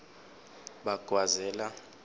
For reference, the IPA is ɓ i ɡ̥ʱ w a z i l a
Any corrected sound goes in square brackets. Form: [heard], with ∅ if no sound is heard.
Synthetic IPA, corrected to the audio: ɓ [a] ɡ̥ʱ w a z [ɛ] l a